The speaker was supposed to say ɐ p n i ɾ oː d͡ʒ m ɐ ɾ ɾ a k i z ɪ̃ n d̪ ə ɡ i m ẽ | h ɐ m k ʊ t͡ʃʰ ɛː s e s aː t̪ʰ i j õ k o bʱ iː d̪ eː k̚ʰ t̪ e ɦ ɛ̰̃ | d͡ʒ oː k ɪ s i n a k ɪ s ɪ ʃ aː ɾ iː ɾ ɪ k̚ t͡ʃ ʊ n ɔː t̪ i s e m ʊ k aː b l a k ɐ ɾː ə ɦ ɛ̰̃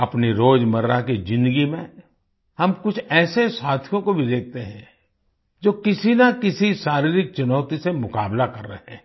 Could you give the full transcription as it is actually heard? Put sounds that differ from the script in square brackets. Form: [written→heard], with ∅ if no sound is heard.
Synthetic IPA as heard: ɐ p n i ɾ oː d͡ʒ m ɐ ɾ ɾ a k i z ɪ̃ n d̪ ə ɡ i m ẽ | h ɐ m k ʊ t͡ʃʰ ɛː s e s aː t̪ʰ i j õ k o bʱ [iː→i] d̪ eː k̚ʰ t̪ e ɦ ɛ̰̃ | d͡ʒ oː k ɪ s i n a k ɪ s [ɪ→i] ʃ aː ɾ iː ɾ ɪ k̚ t͡ʃ ʊ n ɔː t̪ i s e m ʊ k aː b l a k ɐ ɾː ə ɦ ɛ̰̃